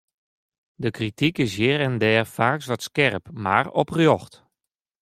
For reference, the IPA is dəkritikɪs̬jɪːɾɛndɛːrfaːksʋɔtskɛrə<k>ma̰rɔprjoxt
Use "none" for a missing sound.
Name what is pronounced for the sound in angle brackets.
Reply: p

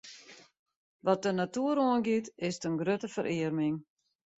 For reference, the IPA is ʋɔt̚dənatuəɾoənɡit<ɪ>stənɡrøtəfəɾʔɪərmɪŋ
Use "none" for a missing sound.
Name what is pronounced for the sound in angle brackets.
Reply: ɪ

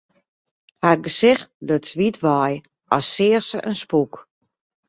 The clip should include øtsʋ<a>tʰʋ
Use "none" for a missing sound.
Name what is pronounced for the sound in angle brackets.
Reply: i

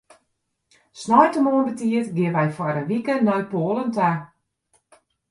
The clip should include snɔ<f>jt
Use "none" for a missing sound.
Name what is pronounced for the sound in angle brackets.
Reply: none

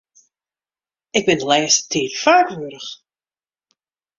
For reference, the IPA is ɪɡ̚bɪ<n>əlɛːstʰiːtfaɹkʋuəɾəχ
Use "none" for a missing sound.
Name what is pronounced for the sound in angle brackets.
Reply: n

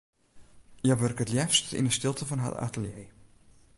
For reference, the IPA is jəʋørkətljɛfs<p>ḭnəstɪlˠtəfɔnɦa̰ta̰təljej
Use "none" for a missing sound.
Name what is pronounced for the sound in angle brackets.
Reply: t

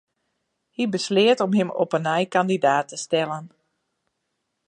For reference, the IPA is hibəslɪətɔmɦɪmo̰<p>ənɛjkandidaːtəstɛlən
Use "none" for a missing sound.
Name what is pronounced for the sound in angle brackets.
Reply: p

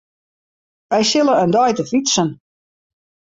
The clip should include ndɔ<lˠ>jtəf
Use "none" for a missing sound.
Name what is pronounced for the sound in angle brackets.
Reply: none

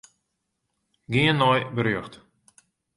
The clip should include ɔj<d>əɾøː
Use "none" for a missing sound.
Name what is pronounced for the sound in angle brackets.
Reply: b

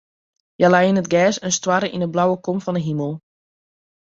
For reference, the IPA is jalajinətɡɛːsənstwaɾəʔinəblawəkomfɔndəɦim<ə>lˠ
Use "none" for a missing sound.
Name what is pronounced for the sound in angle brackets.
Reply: ə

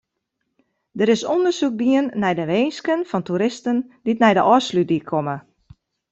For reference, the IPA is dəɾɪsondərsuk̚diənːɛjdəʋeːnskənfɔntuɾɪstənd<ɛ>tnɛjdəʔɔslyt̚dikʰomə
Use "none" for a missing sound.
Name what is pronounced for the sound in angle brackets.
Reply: i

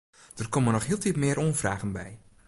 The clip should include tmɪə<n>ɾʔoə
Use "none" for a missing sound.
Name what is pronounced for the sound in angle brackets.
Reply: none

